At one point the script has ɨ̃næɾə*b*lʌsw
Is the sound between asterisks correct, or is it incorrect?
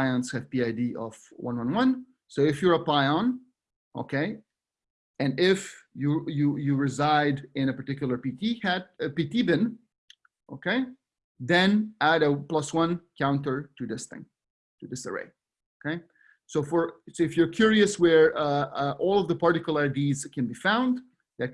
incorrect